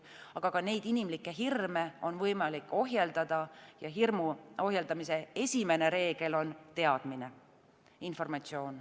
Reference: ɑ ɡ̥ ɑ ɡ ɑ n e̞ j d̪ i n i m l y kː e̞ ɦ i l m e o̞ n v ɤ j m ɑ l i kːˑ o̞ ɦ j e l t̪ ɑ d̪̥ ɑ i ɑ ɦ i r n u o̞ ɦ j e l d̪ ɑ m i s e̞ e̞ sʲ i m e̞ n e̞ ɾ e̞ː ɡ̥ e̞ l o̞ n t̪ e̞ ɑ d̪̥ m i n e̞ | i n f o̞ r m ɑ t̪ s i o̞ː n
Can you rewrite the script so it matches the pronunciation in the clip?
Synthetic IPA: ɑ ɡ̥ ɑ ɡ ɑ n e̞ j d̪ i n i m l i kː e̞ ɦ i r m e o̞ n v ɤ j m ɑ l i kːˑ o̞ ɦ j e l d̪ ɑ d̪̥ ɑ j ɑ ɦ i r m u o̞ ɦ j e l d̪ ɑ m i s e̞ e̞ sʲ i m e̞ n e̞ ɾ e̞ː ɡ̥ e̞ l o̞ n t̪ e̞ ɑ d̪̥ m i n e̞ | i n f o̞ r m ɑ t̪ s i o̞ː n